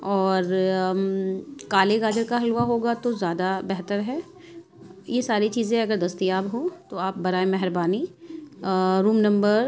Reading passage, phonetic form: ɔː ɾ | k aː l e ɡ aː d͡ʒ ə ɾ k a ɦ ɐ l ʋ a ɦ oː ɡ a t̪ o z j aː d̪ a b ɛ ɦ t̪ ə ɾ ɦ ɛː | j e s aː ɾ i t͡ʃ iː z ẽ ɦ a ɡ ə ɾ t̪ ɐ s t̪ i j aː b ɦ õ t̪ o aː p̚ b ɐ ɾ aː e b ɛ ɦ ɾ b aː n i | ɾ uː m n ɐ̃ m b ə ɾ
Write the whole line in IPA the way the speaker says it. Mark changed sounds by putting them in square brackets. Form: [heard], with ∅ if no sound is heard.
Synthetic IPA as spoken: ɔː ɾ | k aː l e ɡ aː d͡ʒ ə ɾ k a ɦ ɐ l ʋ a ɦ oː ɡ a t̪ o z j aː d̪ a b ɛ ɦ t̪ ə ɾ ɦ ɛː | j e s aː ɾ i t͡ʃ iː z ẽ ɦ [ɐ] ɡ ə ɾ [d̪] ɐ s t̪ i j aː b ɦ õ t̪ o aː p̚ b ɐ ɾ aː e [m] ɛ ɦ ɾ b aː n i | ɾ uː m n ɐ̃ m b ə ɾ

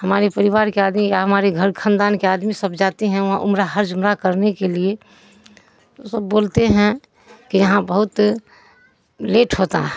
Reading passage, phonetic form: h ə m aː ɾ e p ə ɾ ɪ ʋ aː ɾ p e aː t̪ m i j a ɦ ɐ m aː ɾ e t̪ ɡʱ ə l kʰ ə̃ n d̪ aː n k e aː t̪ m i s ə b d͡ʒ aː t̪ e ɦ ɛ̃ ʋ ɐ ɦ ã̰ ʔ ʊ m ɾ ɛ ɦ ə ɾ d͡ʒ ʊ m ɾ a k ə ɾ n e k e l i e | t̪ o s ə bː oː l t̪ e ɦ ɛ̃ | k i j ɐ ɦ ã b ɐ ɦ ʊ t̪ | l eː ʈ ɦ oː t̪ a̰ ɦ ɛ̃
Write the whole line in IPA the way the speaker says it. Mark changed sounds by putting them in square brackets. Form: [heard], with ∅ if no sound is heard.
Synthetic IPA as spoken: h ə m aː ɾ e p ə ɾ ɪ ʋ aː ɾ [k] e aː [d̪] m i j a ɦ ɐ m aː ɾ e [∅] ɡʱ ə [ɾ] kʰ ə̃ n d̪ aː n k e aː [d̪] m i s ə b d͡ʒ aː t̪ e ɦ ɛ̃ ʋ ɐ ɦ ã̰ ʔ ʊ m ɾ [a] ɦ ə ɾ d͡ʒ ʊ m ɾ a k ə ɾ n e k e l i e | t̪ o s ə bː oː l t̪ e ɦ ɛ̃ | k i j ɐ ɦ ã b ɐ ɦ ʊ t̪ | l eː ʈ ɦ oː t̪ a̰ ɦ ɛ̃

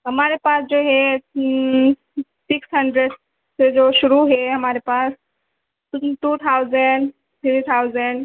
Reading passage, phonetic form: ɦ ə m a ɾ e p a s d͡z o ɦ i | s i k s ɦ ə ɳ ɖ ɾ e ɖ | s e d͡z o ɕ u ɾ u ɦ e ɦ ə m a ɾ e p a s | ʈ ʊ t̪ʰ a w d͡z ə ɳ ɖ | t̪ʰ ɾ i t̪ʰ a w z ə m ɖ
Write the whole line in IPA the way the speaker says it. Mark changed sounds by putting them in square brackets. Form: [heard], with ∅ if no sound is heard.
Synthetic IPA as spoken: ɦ ə m a ɾ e p a s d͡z o ɦ [e] | s i k s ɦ ə ɳ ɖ ɾ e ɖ | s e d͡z o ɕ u ɾ u ɦ e ɦ ə m a ɾ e p a s | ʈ [u] t̪ʰ a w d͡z ə ɳ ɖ | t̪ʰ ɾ i t̪ʰ a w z ə [ɳ] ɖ

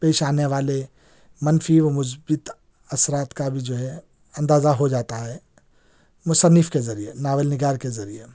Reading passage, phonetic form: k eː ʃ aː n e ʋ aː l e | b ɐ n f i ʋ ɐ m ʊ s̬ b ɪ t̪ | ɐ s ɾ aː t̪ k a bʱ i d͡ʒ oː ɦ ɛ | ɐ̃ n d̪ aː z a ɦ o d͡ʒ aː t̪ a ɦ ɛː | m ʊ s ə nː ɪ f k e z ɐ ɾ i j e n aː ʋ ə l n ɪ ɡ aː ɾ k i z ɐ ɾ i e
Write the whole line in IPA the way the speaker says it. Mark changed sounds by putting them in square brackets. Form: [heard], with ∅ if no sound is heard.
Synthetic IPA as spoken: [p] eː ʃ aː n e ʋ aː l e | [m] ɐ n f i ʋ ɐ m ʊ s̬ b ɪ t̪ | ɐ s ɾ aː t̪ k a bʱ i d͡ʒ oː ɦ ɛ | ɐ̃ n d̪ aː z a ɦ o d͡ʒ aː t̪ a ɦ ɛː | m ʊ s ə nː ɪ f k e z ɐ ɾ i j e n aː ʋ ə l n ɪ ɡ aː ɾ k [e] z ɐ ɾ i e

